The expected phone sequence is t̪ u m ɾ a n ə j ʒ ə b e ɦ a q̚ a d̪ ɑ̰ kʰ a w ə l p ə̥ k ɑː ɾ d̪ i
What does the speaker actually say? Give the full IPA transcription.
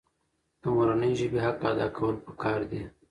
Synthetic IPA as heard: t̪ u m ɾ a n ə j ʒ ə b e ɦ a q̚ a d̪ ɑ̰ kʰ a w ə l p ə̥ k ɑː ɾ d̪ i